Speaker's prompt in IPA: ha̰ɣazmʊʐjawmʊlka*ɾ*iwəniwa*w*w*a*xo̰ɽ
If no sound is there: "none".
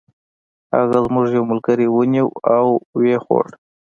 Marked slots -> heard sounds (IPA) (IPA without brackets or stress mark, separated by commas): ɾ, w, e